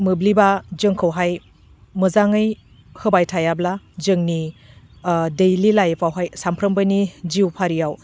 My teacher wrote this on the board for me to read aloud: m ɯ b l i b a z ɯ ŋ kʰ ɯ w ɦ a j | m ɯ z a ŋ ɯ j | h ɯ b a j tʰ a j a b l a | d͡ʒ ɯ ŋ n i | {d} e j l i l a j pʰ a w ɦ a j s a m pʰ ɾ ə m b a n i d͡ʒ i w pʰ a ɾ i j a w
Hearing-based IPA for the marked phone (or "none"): d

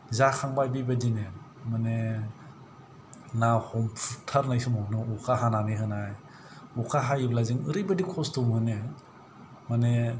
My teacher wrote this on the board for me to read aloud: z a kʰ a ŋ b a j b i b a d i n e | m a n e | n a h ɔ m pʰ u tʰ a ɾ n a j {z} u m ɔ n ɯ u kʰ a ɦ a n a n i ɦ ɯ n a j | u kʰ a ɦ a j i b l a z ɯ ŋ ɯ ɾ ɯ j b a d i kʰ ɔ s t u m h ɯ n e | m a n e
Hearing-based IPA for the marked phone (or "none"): s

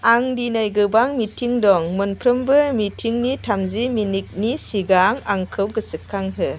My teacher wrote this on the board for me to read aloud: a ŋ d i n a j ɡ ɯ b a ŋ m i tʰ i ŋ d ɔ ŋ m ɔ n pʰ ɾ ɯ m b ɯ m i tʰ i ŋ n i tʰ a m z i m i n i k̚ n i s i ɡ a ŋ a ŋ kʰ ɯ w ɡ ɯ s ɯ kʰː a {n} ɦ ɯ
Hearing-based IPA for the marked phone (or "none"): ŋ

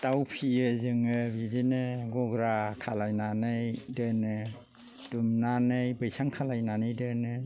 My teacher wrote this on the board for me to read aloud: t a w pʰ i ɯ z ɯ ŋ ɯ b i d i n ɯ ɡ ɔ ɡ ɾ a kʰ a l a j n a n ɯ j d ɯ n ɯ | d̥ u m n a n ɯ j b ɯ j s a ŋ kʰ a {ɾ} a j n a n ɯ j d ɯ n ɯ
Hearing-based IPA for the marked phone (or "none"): l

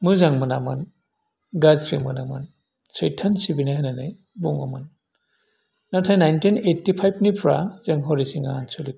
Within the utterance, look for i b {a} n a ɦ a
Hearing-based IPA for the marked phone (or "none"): i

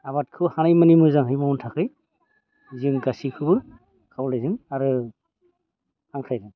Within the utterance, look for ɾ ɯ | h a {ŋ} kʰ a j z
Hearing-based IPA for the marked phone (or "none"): ŋ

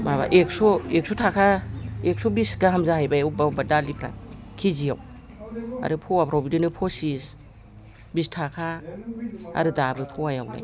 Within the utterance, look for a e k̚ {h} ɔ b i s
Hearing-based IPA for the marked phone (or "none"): s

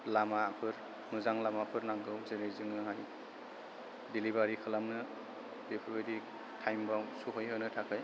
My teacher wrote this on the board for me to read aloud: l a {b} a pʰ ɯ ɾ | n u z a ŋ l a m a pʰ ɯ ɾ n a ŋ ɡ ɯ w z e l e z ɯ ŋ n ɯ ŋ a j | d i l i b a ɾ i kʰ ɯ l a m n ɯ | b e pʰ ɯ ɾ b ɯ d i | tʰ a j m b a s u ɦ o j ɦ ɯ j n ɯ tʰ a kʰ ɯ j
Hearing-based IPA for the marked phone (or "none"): m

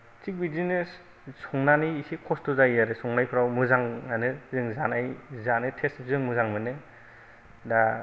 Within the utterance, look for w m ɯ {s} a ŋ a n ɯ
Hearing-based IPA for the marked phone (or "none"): z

